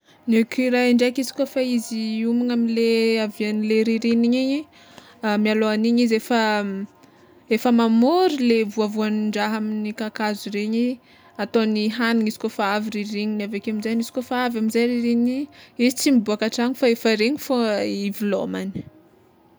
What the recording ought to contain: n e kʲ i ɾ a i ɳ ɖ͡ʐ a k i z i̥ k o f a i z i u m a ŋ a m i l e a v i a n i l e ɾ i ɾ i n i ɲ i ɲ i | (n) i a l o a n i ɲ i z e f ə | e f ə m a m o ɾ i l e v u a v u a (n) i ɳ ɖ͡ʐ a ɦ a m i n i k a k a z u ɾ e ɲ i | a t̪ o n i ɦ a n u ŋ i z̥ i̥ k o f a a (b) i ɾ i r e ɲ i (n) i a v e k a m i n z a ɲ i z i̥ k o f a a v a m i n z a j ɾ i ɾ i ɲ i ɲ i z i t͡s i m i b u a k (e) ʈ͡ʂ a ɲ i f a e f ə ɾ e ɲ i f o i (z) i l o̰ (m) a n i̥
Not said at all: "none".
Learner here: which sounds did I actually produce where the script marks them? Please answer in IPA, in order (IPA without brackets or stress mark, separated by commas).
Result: m, n, v, n, a, v, m